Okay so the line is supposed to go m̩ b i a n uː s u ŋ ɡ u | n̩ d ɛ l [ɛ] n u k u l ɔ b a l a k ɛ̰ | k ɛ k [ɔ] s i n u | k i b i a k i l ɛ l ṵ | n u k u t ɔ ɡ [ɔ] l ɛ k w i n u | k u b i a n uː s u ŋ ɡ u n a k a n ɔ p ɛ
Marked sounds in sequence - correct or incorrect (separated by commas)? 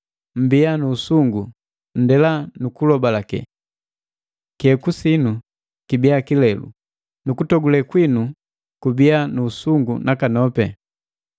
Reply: incorrect, incorrect, incorrect